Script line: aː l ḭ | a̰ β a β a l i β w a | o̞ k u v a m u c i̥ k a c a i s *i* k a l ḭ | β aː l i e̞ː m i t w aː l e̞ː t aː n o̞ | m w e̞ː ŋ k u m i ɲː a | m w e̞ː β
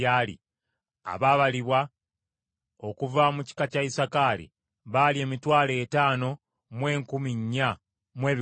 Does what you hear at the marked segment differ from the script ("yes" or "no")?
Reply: yes